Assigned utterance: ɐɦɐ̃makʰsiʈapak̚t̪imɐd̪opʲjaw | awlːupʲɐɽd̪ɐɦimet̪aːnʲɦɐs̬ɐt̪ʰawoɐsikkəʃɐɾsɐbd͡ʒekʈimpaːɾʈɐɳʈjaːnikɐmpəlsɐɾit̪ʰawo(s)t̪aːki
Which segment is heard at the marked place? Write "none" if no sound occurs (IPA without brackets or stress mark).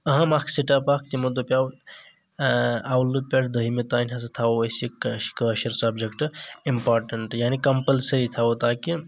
none